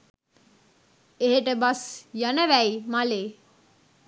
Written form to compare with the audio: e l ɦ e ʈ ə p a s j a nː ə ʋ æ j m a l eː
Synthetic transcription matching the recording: e ɦ e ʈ ə b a s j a n ə ʋ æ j m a l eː